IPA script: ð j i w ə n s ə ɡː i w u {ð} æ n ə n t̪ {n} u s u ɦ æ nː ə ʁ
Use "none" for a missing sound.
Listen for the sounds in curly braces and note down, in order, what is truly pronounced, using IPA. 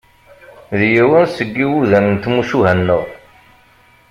ð, m

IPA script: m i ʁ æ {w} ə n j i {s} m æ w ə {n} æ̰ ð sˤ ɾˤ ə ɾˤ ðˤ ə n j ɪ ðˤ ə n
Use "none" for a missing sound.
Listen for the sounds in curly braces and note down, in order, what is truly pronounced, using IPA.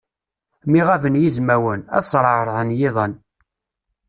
v, z, n

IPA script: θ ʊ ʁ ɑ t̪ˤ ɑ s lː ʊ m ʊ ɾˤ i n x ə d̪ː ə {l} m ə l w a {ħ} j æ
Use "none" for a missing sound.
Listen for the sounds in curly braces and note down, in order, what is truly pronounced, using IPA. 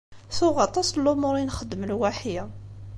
none, ħ

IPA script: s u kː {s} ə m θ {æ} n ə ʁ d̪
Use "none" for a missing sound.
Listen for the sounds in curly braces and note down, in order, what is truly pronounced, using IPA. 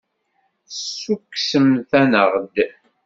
s, æ

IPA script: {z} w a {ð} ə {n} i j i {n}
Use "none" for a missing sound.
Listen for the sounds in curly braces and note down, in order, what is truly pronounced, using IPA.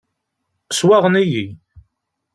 s, ʁ, n, none

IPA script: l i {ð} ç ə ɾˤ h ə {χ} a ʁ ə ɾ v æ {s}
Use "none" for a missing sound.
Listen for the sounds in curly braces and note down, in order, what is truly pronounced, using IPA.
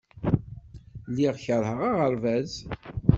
ʁ, ʁ, z

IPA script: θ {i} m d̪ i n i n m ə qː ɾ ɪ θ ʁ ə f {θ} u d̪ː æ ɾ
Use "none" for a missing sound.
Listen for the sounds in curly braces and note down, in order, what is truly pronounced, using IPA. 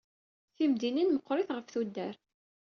i, θ

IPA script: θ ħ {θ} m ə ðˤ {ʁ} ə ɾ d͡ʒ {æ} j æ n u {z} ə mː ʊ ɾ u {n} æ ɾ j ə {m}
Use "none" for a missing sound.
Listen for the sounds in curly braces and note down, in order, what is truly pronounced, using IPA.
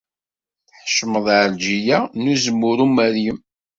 ʃ, ʕ, i, z, m, m

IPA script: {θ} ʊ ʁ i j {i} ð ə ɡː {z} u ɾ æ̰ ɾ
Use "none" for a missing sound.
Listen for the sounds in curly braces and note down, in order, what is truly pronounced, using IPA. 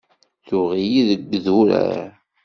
θ, i, ð

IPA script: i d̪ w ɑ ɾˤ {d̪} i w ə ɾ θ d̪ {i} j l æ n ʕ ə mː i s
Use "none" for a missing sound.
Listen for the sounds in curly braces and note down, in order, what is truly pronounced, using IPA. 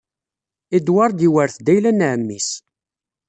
d̪, æ

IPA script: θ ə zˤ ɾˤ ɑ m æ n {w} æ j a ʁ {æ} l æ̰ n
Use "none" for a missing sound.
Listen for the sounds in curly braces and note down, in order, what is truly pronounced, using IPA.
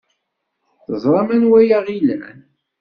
w, i

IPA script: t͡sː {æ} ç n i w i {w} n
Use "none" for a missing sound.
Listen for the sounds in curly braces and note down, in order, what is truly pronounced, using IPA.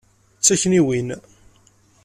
æ, none

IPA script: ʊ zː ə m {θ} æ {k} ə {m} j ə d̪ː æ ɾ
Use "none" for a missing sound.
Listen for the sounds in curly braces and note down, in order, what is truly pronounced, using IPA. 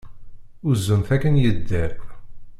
θ, k, n

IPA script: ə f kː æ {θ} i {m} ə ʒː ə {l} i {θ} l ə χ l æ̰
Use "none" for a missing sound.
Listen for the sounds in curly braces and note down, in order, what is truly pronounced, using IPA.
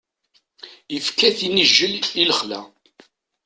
θ, n, l, none

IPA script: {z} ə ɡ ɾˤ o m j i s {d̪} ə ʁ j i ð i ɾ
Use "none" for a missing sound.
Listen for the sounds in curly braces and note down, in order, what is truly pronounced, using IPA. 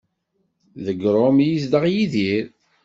ð, d̪

